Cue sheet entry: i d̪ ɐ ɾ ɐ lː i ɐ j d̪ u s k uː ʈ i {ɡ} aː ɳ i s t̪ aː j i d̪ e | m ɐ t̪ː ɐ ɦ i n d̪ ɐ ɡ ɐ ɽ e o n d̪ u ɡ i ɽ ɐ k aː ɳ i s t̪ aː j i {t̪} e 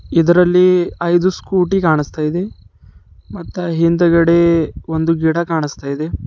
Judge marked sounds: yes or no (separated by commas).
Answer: no, no